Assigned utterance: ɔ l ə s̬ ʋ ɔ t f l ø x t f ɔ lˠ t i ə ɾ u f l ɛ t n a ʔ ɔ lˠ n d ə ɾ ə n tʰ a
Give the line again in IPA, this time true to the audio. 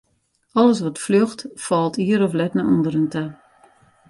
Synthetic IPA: ɔ l ə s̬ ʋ ɔ t f l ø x t f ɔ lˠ t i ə ɾ ɔ f l ɛ t n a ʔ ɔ n d ə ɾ ə n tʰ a